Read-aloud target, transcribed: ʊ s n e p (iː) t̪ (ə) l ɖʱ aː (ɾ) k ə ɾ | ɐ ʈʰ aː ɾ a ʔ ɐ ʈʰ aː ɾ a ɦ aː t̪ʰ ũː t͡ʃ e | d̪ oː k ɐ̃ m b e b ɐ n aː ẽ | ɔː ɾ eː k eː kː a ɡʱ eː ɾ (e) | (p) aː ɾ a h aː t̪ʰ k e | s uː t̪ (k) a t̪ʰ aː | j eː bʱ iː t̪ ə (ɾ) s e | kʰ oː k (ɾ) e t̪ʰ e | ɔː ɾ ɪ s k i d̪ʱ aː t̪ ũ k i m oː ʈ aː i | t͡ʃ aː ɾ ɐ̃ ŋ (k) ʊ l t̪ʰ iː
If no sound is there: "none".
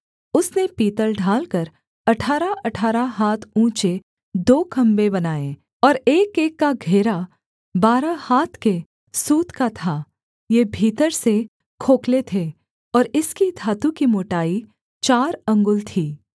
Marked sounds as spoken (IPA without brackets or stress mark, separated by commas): iː, ə, l, a, b, k, ɾ, l, ɡ